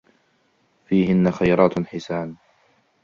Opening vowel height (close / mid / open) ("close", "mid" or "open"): close